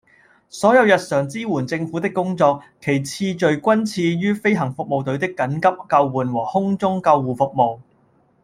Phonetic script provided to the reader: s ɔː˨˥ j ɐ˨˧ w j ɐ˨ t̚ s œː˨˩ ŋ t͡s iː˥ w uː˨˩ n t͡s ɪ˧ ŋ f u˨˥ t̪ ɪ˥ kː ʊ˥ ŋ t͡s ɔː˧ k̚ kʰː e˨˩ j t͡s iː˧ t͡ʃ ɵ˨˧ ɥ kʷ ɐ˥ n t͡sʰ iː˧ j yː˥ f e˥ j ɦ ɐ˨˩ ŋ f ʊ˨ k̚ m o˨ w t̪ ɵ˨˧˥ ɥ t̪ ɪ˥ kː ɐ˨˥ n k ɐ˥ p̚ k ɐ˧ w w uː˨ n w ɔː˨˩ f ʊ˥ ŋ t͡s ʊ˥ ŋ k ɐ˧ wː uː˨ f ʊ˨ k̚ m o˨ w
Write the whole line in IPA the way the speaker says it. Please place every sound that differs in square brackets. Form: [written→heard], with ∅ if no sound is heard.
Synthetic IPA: s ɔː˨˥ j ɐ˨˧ w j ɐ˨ t̚ s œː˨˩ ŋ t͡s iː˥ w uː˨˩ n t͡s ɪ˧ ŋ f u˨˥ t̪ ɪ˥ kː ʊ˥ ŋ t͡s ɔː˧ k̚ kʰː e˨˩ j [t͡s→t͡sʰ] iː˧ t͡ʃ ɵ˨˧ ɥ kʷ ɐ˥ n t͡sʰ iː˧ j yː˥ f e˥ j ɦ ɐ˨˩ ŋ f ʊ˨ k̚ m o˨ w t̪ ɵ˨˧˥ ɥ t̪ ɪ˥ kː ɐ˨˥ n k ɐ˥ p̚ k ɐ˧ w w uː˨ n w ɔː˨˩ [f→h] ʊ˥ ŋ t͡s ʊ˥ ŋ k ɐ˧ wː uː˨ f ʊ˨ k̚ m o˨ w

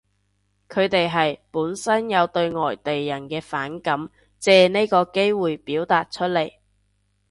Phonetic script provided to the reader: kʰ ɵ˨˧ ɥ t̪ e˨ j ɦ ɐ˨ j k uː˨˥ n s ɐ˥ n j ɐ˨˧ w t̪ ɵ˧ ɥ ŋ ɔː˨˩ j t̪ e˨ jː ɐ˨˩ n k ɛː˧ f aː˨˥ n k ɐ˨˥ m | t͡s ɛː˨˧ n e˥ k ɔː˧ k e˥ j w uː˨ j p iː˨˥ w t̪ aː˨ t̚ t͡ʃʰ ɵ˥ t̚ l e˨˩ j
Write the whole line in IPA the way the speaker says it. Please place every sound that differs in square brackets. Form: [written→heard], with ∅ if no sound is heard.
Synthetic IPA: kʰ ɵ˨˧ ɥ t̪ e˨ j ɦ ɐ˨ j [k→p] uː˨˥ n s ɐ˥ n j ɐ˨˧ w t̪ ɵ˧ ɥ ŋ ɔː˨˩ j t̪ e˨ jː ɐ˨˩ n k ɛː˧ f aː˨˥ n k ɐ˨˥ m | t͡s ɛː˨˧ n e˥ k ɔː˧ k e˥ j w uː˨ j p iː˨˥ w t̪ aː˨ t̚ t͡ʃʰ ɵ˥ t̚ l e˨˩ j

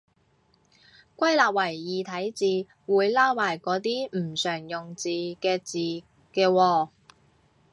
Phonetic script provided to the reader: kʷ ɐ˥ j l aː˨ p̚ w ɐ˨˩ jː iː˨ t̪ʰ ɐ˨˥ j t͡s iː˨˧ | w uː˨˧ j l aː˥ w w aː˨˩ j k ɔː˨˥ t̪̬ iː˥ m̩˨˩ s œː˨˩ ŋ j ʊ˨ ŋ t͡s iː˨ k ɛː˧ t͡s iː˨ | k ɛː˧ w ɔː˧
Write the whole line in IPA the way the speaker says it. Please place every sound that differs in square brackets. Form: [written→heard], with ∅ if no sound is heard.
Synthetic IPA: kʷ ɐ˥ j l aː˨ p̚ w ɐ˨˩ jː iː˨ t̪ʰ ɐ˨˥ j t͡s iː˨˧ | w uː˨˧ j l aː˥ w w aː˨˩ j k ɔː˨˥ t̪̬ iː˥ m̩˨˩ s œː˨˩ ŋ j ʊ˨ ŋ t͡s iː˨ k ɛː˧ t͡s iː˨ | k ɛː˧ w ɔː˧

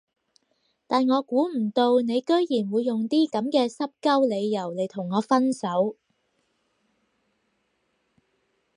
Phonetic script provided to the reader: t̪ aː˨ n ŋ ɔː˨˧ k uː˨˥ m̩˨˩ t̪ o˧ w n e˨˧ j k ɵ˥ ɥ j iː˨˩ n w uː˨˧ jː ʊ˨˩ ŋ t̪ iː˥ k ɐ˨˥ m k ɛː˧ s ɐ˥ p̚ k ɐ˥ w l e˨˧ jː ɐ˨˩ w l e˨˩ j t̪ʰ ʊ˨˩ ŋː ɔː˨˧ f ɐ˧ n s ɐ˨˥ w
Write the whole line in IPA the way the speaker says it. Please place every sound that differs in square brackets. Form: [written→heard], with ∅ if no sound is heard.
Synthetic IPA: t̪ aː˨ n ŋ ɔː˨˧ k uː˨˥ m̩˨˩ t̪ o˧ w n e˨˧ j k ɵ˥ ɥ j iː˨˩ n w uː˨˧ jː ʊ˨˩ ŋ t̪ iː˥ k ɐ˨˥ m k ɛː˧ s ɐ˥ p̚ k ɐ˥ w l e˨˧ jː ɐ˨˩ w l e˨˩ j t̪ʰ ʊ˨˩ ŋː ɔː˨˧ f [ɐ˧→ɐ˥] n s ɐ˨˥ w

